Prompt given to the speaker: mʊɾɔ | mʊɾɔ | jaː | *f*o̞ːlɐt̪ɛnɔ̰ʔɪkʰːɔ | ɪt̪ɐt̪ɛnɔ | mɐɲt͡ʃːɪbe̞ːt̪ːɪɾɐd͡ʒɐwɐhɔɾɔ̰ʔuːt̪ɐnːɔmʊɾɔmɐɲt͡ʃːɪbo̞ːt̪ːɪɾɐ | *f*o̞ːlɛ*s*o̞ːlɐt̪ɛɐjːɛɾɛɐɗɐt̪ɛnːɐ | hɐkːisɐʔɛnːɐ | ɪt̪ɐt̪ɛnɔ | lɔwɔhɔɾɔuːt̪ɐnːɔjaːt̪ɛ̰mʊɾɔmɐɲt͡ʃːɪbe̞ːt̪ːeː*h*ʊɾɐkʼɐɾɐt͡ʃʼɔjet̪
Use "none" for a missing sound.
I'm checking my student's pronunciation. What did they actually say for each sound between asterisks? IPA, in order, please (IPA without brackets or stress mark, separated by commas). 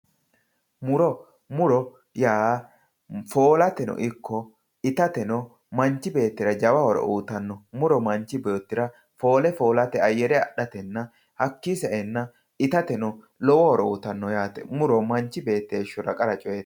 f, f, f, ʃ